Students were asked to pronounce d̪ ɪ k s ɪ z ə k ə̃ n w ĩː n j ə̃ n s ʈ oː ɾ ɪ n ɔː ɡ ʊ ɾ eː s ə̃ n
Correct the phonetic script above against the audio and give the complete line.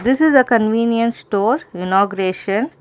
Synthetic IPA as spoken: d̪ ɪ s ɪ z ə k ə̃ n ʋ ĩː n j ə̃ n s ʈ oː ɾ ɪ n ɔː ɡ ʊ ɾ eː ʃ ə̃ n

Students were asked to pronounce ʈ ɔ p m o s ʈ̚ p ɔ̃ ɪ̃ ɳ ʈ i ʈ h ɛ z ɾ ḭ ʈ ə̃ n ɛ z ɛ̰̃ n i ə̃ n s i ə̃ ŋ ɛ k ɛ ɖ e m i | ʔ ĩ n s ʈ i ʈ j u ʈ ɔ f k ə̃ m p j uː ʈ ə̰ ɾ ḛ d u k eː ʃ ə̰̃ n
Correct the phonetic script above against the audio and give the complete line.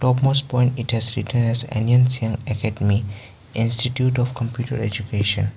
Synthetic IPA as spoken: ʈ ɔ p m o s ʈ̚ p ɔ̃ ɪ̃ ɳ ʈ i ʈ h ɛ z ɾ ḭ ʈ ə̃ n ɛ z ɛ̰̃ n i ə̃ n s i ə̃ ŋ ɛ k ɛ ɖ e m i | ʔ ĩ n s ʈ i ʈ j u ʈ ɔ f k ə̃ m p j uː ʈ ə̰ ɾ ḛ d͡ʒ u k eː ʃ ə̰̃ n

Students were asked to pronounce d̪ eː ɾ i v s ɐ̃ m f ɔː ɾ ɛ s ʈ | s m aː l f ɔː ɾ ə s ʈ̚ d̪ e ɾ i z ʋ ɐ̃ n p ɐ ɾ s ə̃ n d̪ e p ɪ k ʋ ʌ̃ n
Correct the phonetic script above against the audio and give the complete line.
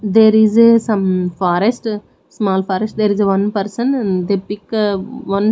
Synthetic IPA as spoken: d̪ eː ɾ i z s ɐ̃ m f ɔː ɾ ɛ s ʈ | s m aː l f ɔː ɾ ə s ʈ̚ d̪ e ɾ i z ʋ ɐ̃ n p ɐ ɾ s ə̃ n d̪ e p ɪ k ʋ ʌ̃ n

